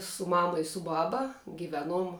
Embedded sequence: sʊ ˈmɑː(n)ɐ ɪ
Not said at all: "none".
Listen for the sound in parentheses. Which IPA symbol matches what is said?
m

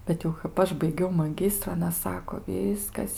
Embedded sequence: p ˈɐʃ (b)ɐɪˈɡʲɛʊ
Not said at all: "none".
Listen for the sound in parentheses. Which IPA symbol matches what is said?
b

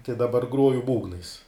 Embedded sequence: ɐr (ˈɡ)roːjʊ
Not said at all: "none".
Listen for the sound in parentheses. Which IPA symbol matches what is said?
ɡ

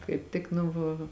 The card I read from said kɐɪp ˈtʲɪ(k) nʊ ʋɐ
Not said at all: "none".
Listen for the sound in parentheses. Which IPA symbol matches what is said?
k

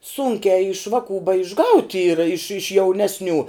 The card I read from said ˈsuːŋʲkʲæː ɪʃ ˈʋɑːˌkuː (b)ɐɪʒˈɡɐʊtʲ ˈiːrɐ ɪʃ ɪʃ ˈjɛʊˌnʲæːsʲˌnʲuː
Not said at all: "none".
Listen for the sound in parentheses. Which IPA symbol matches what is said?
b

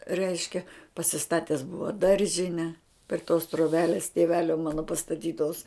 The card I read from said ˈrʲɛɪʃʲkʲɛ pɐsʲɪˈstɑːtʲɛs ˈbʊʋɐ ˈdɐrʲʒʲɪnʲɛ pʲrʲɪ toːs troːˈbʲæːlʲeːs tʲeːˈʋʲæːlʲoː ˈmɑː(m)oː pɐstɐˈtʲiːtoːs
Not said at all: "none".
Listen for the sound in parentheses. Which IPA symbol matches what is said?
n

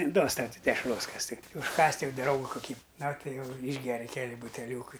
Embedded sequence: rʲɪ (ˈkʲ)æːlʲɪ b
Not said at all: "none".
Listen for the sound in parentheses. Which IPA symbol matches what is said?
kʲ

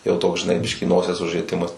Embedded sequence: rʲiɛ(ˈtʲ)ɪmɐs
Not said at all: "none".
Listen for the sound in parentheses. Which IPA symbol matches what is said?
tʲ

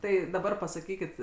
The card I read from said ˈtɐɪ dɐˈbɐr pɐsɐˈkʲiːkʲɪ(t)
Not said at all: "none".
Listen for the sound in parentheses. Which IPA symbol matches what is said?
t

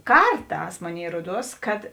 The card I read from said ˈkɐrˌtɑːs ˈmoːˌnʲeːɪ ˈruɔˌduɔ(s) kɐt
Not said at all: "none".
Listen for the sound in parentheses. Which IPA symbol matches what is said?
s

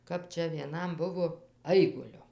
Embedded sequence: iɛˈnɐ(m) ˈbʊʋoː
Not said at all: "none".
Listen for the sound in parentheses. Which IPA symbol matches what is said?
m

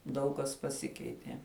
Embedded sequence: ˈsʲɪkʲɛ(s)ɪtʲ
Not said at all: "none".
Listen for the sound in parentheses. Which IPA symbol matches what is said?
none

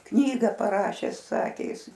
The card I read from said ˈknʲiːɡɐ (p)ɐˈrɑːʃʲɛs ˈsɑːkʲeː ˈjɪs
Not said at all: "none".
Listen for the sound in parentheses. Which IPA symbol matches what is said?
p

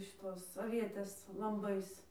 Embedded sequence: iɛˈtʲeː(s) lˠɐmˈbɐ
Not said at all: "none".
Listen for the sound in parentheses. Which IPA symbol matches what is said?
s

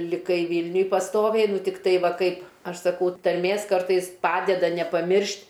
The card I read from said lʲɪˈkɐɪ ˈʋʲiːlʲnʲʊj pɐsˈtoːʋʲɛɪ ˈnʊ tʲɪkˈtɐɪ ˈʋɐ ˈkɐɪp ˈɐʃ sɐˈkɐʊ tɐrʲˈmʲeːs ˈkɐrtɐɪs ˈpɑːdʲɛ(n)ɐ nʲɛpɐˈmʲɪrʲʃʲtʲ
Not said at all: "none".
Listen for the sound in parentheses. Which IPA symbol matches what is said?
d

